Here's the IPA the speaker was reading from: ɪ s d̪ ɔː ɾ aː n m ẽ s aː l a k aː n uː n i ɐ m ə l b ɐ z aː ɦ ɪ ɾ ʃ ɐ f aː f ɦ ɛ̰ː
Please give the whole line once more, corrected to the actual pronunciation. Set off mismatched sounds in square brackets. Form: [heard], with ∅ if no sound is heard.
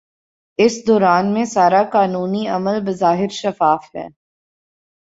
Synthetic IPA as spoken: ɪ s d̪ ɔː ɾ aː n m ẽ s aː [ɾ] a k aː n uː n i ɐ m ə l b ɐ z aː ɦ ɪ ɾ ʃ ɐ f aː f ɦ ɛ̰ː